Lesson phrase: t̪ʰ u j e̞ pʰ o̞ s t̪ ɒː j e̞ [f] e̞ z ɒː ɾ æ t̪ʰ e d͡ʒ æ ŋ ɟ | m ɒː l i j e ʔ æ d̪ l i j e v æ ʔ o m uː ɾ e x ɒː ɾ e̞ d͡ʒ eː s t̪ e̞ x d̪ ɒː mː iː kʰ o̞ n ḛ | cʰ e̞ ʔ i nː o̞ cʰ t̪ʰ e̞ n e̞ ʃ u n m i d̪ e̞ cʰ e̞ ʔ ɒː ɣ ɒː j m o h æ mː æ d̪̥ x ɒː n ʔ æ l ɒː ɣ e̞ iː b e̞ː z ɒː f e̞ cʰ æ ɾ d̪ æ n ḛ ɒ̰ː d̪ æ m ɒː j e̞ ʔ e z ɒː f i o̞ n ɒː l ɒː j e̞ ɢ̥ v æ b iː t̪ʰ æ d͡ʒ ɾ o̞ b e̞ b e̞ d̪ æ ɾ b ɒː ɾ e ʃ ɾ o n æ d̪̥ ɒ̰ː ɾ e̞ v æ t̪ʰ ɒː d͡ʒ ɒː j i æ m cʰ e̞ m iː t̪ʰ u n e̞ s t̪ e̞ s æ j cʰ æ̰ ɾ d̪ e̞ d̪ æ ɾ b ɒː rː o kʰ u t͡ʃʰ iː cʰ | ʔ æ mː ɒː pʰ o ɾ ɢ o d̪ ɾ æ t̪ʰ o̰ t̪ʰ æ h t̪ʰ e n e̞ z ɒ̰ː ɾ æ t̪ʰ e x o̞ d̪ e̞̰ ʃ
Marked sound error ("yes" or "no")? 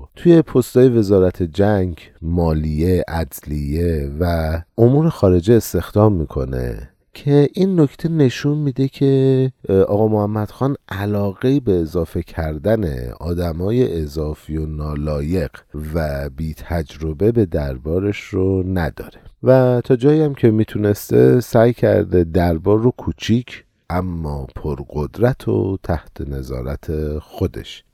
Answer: yes